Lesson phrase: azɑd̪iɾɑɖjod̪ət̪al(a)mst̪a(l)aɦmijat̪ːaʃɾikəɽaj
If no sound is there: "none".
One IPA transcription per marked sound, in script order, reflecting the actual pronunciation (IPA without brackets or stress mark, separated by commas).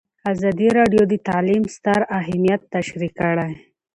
i, ɾ